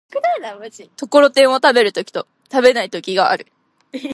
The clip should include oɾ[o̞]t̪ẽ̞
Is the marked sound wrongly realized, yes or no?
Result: no